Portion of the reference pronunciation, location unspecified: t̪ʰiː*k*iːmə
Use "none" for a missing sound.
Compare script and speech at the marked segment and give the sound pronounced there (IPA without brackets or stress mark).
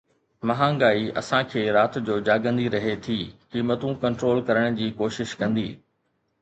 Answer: k